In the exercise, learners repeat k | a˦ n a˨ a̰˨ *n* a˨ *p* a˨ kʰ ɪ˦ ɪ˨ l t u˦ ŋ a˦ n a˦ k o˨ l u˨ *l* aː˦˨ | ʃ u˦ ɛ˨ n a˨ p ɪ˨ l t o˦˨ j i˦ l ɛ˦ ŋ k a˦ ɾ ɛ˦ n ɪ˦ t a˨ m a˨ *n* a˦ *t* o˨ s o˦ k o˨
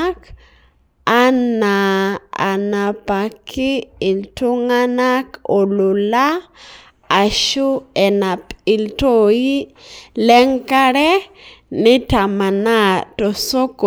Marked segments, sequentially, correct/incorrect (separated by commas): correct, correct, correct, correct, correct